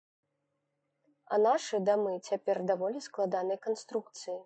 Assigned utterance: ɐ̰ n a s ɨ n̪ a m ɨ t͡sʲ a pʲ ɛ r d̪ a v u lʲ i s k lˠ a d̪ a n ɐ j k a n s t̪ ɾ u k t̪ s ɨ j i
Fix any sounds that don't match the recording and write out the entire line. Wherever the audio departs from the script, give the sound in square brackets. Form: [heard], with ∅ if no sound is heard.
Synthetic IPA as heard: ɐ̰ n a [ʂ] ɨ [d̪] a m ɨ t͡sʲ a pʲ ɛ r d̪ a v [ɔ] lʲ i s k lˠ a d̪ a n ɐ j k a n s t̪ ɾ u k t̪ s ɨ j i